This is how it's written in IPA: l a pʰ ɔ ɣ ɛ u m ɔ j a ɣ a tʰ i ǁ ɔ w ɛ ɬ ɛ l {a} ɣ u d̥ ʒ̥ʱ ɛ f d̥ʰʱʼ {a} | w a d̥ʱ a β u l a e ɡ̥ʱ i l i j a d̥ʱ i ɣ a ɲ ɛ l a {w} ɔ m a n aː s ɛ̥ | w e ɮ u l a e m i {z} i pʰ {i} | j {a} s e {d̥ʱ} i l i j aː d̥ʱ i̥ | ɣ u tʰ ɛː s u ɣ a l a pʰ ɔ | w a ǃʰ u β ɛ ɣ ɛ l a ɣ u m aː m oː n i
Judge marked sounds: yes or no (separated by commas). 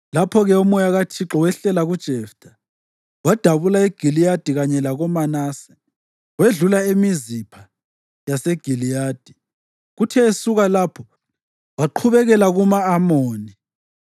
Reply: yes, yes, no, yes, no, yes, no